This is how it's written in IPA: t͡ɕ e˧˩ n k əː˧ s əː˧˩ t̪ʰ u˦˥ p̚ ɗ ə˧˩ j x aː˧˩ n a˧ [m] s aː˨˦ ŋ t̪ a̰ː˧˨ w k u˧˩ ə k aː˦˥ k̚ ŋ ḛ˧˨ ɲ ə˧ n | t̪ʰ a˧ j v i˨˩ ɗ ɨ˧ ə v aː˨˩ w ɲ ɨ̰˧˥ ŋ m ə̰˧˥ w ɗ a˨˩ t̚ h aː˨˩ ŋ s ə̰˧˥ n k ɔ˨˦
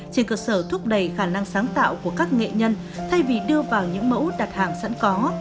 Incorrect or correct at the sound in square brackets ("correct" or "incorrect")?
incorrect